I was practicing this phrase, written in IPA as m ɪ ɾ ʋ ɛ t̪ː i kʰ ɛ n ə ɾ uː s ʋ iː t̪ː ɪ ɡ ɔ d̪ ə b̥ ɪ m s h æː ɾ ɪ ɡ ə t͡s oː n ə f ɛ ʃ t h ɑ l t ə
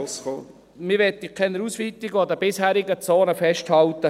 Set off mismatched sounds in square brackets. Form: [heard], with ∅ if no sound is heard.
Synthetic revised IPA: m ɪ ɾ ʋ ɛ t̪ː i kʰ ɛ n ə ɾ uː s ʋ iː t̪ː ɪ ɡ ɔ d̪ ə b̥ ɪ [∅] s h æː ɾ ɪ ɡ ə t͡s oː n ə f ɛ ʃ t h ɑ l t ə